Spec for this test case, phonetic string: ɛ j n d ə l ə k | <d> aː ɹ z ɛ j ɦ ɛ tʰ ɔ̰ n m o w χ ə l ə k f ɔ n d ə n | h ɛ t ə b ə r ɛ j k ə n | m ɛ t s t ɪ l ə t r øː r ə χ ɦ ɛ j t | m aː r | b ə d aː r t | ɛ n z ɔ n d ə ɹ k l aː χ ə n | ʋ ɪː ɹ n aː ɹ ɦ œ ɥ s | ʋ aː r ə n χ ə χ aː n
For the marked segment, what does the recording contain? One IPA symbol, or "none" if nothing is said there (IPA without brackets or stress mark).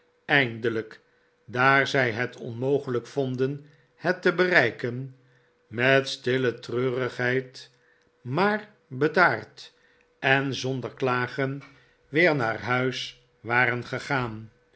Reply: d